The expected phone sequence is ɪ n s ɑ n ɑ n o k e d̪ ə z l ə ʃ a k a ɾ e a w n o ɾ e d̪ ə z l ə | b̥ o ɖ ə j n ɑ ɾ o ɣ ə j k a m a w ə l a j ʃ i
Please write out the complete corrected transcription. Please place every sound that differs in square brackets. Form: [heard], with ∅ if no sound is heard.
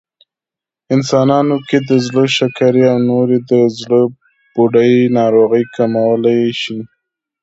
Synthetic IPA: ɪ n s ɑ n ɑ n o k e d̪ ə z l ə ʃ a k a ɾ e a w n o ɾ e d̪ ə z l ə | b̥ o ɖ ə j n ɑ ɾ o ɣ ə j k a m a w ə l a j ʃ i